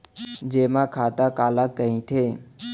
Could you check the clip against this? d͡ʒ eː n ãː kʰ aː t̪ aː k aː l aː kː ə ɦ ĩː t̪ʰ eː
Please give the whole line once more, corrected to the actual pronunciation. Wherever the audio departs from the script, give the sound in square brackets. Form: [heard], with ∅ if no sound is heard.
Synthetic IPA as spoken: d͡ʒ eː [m] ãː kʰ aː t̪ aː k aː l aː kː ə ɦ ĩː t̪ʰ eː